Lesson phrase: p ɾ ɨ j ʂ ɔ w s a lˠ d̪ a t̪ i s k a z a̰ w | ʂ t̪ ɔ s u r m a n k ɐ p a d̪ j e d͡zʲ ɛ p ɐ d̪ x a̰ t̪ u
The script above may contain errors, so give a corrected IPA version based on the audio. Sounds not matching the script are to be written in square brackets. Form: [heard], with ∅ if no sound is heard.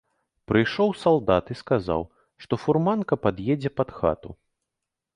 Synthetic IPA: p ɾ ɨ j ʂ ɔ w s a lˠ d̪ a t̪ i s k a z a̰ w | ʂ t̪ ɔ [f] u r m a n k ɐ p a d̪ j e d͡zʲ ɛ p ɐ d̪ x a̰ t̪ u